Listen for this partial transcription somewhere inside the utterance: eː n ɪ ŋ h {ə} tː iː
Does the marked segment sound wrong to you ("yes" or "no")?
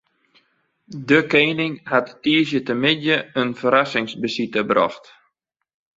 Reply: yes